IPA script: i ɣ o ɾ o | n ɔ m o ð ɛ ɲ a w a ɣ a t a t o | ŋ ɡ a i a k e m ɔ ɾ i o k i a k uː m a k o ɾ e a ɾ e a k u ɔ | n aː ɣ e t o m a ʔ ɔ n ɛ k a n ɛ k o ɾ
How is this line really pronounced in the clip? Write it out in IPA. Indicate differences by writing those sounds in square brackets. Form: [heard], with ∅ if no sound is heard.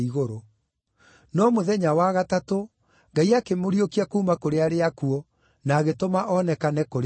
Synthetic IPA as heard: i ɣ o ɾ o | n ɔ m o ð ɛ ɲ a w a ɣ a t a t o | ŋ ɡ a i a k e m [o] ɾ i o k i a k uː m a k o ɾ e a ɾ e a k u ɔ | n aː ɣ e t o m a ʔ ɔ n ɛ k a n ɛ k o ɾ